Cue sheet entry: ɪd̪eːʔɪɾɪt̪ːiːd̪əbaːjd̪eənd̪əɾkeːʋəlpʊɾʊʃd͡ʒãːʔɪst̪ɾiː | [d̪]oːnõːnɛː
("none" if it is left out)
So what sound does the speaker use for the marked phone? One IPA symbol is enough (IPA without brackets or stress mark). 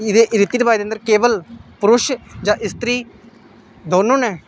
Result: d̪